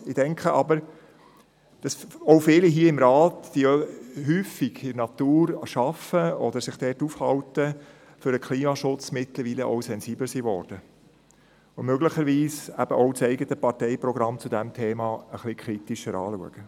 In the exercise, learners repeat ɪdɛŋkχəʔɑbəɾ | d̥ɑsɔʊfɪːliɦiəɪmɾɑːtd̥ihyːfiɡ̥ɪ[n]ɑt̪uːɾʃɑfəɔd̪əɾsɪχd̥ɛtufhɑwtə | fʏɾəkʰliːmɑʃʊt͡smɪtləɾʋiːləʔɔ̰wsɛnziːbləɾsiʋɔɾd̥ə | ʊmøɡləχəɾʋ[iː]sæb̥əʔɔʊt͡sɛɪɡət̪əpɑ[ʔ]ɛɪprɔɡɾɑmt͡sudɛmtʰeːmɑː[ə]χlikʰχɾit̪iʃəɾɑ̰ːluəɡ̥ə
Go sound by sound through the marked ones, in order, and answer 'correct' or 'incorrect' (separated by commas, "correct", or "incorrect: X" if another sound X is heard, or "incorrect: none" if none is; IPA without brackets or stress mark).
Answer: correct, correct, incorrect: t, correct